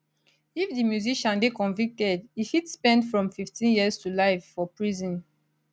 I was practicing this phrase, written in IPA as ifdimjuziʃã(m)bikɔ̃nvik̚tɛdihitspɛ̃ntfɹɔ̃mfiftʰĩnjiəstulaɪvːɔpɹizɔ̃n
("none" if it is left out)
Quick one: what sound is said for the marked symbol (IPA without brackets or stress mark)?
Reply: n